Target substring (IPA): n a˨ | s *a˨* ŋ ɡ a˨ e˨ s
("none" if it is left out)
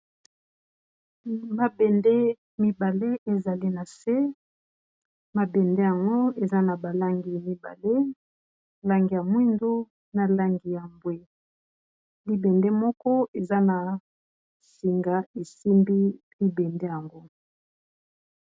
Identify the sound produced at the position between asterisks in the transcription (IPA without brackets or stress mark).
i˨